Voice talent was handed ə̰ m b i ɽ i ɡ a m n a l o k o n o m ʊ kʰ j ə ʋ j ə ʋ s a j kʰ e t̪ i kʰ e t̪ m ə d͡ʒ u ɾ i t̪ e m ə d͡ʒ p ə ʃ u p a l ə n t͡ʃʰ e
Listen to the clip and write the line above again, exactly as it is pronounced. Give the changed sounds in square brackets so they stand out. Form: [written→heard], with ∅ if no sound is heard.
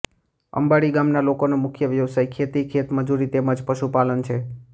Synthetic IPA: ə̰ m b [i→a] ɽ i ɡ a m n a l o k o n o m ʊ kʰ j ə ʋ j ə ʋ s a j kʰ e t̪ i kʰ e t̪ m ə d͡ʒ u ɾ i t̪ e m ə d͡ʒ p ə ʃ u p a l ə n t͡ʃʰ e